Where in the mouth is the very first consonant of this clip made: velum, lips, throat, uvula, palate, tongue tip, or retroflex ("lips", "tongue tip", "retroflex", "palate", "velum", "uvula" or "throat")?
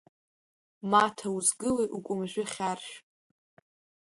lips